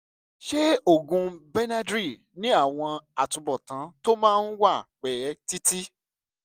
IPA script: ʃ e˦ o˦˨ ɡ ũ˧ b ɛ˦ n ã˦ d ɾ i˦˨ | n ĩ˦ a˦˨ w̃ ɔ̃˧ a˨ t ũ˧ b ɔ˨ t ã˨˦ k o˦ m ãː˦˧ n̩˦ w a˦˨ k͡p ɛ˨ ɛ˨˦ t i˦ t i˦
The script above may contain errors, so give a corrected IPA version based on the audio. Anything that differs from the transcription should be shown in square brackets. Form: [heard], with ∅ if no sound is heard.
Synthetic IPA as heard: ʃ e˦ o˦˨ ɡ ũ˧ b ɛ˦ n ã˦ d ɾ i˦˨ | n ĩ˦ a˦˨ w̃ ɔ̃˧ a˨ t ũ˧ b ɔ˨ t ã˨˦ [t] o˦ m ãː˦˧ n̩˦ w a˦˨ k͡p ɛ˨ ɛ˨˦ t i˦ t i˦